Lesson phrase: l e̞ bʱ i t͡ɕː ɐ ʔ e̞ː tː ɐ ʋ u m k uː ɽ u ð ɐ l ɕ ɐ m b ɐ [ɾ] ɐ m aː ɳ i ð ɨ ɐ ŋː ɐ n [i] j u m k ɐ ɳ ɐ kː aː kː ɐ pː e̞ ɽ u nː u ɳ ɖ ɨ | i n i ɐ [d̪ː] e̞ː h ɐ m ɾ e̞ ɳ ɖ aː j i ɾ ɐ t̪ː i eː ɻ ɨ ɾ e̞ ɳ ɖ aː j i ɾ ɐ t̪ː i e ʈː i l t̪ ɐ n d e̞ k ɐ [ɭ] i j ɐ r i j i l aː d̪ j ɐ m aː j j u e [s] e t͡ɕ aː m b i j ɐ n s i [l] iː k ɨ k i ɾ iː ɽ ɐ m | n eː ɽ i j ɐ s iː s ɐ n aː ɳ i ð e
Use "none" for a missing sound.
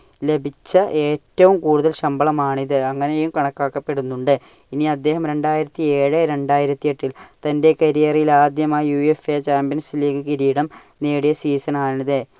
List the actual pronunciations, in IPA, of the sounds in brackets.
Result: ɭ, e, d̪ː, ɾ, f, l

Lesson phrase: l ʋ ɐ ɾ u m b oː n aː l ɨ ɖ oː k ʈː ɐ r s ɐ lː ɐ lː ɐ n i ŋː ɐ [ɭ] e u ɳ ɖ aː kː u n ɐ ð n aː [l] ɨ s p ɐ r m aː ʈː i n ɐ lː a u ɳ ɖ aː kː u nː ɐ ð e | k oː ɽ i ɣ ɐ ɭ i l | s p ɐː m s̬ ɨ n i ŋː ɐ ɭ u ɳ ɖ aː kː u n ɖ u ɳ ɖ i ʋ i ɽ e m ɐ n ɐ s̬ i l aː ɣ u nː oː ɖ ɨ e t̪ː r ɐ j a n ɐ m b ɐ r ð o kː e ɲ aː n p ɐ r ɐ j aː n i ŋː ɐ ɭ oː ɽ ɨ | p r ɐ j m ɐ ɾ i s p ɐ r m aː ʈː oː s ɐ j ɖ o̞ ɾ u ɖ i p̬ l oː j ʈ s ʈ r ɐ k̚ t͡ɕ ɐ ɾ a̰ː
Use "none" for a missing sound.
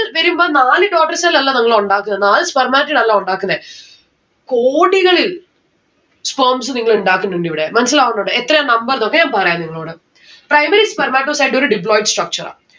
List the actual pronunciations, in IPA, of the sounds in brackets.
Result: ɭ, l

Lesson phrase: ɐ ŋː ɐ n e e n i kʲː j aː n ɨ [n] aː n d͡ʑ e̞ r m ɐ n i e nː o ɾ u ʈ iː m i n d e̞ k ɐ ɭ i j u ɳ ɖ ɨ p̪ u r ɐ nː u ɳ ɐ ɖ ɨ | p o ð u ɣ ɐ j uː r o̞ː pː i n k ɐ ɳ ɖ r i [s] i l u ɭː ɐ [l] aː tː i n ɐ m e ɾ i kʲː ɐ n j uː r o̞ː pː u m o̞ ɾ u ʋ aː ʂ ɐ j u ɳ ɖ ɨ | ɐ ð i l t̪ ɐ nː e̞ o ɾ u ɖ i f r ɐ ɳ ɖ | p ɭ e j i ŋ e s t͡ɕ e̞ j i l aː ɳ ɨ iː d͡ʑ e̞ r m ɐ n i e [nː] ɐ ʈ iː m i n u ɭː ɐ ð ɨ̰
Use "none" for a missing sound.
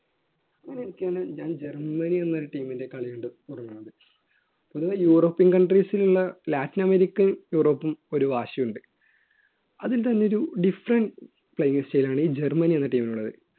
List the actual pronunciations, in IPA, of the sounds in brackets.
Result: ɲ, s, l, nː

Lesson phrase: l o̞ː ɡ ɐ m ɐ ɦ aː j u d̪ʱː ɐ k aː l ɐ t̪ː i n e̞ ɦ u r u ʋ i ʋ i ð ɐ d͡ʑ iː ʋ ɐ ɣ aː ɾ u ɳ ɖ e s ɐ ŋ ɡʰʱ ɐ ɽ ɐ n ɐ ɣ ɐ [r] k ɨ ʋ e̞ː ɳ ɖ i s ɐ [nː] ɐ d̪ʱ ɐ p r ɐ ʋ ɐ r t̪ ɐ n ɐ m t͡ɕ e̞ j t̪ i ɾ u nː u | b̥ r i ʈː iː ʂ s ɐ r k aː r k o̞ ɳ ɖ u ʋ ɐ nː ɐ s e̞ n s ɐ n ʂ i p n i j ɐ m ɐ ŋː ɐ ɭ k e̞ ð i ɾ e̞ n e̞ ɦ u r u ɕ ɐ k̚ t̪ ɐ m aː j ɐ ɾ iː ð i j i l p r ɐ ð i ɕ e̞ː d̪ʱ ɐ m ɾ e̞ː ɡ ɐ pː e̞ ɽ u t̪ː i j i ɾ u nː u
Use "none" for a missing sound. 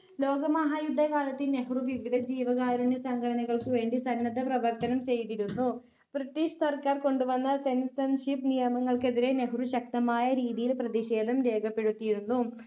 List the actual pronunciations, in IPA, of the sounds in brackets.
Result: ɭ, nː

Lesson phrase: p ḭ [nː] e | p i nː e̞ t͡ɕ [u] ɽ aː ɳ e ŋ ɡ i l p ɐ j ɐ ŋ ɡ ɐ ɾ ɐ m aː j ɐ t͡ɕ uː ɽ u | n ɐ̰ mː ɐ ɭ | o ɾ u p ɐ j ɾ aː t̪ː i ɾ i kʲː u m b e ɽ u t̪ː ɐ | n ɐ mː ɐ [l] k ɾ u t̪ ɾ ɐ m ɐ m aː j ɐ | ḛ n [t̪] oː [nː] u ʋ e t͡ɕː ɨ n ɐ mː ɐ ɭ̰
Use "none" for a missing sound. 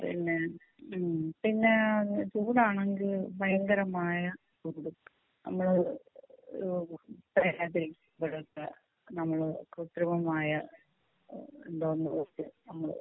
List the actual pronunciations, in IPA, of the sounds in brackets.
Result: nː, uː, ɭ, d̪, nː

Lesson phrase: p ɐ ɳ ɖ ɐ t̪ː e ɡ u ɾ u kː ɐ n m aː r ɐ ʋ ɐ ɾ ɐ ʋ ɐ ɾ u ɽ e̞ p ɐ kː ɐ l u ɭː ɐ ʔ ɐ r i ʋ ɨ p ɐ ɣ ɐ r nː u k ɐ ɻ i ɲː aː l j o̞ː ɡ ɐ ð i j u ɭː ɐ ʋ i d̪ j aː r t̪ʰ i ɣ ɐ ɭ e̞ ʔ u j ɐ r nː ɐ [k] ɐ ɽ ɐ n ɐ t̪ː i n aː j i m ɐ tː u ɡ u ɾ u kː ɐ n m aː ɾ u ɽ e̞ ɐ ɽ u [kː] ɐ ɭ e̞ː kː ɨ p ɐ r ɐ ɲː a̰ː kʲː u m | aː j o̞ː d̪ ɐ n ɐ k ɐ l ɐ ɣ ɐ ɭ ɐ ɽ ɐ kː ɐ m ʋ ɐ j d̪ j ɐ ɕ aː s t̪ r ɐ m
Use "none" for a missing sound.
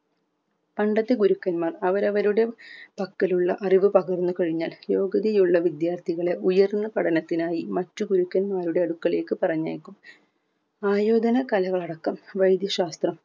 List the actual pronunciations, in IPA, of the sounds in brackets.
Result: p, kː

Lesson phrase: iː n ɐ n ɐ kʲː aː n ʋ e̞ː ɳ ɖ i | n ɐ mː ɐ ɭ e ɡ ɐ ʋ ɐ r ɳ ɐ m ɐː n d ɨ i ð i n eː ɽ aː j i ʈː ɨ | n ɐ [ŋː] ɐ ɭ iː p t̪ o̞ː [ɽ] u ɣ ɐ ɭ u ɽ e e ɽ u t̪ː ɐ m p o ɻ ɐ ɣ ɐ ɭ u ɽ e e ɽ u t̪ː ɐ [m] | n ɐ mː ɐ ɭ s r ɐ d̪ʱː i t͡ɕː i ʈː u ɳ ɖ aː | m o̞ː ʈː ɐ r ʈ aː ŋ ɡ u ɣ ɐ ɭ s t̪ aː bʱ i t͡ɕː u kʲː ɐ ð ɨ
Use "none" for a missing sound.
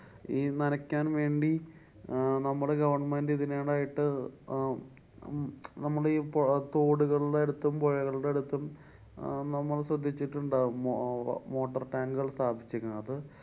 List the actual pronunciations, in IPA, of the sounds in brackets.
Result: mː, ɽ, m

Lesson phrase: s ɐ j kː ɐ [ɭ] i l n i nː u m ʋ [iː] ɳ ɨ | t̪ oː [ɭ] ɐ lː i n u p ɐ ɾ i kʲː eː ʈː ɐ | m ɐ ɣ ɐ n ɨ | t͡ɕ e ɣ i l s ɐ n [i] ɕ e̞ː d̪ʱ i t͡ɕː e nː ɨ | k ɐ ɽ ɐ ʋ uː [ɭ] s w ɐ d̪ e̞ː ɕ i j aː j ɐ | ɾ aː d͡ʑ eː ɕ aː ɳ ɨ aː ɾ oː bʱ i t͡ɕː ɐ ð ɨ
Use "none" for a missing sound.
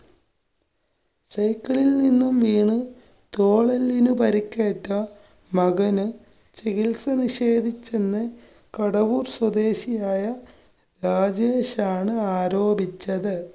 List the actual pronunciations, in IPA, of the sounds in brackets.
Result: ɭ, iː, ɭ, i, r

